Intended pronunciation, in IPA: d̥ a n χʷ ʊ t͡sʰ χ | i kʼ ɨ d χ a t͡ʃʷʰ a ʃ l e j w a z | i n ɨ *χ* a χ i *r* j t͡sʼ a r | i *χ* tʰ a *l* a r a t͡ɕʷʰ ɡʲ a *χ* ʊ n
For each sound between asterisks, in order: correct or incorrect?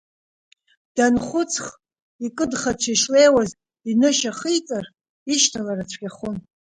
incorrect: ʃ, incorrect: none, incorrect: ʃ, correct, correct

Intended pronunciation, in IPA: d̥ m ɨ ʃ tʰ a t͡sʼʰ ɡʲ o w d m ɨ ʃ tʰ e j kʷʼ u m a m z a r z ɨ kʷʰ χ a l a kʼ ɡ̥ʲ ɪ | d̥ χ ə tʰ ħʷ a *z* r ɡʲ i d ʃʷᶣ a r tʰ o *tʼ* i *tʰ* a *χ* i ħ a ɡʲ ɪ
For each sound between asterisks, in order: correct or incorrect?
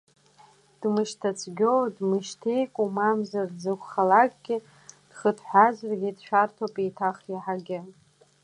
correct, incorrect: pʼ, correct, correct

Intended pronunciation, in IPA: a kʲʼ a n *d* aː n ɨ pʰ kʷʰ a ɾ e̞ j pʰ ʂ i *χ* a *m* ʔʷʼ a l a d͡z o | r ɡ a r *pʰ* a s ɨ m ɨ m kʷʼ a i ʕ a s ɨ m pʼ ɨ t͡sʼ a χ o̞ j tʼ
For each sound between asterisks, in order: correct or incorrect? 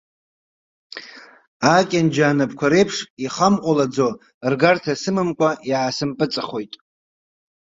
incorrect: d͡ʒ, correct, correct, incorrect: tʰ

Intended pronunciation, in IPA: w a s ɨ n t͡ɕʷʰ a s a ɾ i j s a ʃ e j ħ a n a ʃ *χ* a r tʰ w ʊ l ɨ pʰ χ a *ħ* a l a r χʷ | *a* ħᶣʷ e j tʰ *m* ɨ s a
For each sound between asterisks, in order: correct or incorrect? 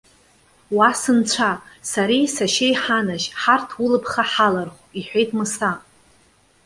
incorrect: ħ, correct, incorrect: i, correct

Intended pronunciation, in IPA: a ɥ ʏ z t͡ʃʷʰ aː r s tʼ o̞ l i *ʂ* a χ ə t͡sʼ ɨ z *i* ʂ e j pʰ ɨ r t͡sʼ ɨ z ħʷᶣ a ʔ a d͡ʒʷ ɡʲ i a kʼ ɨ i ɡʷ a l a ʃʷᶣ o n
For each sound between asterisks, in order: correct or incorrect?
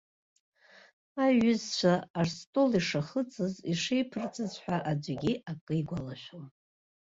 correct, correct

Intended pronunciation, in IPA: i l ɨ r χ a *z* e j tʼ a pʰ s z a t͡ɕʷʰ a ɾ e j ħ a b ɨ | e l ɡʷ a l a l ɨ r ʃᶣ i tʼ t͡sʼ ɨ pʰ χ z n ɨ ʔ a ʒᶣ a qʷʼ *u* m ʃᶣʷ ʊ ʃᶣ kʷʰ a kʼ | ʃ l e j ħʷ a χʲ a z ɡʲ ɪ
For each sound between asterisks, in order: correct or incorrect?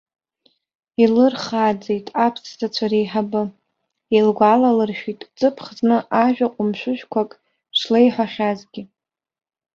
incorrect: d͡z, incorrect: ʊ

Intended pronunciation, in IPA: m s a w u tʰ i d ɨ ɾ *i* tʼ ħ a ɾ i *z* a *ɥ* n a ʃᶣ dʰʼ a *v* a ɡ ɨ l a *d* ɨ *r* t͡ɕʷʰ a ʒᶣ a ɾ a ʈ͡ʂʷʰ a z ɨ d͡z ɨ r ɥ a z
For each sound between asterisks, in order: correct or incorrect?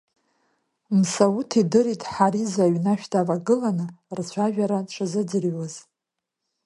correct, correct, correct, correct, incorrect: n, correct

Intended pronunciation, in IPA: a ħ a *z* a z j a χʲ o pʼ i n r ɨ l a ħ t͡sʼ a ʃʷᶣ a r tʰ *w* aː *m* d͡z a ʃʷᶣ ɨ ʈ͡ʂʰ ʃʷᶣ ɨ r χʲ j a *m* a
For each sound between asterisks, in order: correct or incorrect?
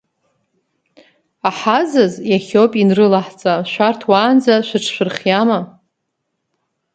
correct, correct, incorrect: n, correct

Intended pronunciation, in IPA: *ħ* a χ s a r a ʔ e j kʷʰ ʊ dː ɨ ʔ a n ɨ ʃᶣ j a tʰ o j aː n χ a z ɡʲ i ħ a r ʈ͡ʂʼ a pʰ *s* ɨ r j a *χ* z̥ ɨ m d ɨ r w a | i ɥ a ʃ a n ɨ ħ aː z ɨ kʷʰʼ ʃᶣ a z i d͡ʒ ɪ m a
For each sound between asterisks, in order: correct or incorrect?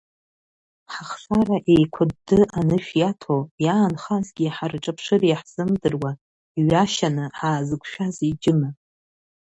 correct, incorrect: ʂ, incorrect: ħ

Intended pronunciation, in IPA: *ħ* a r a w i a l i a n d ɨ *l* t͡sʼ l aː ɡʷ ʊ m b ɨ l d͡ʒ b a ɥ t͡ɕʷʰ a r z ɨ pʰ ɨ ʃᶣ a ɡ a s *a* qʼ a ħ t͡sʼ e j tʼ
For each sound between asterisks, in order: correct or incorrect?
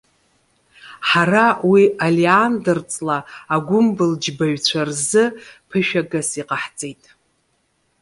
correct, incorrect: r, incorrect: i

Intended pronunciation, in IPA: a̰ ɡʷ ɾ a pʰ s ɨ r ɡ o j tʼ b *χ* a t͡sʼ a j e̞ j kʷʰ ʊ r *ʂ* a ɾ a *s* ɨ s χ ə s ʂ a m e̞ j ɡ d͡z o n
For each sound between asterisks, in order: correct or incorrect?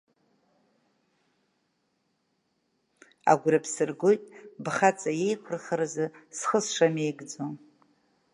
correct, incorrect: χ, incorrect: z

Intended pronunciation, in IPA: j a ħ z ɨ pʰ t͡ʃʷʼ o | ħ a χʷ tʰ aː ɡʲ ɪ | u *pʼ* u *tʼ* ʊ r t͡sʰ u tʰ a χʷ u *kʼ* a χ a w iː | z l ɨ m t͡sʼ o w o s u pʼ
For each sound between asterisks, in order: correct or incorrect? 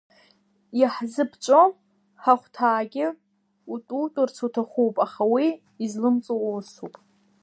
incorrect: tʼ, correct, incorrect: pʼ

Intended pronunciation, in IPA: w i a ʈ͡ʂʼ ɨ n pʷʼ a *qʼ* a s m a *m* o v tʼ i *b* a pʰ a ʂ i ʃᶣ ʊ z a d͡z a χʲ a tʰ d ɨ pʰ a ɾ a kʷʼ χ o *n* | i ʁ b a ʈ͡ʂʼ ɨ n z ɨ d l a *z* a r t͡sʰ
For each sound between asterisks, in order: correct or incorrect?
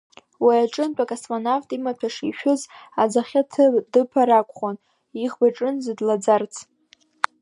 incorrect: kʼ, incorrect: n, incorrect: m, correct, incorrect: d͡z

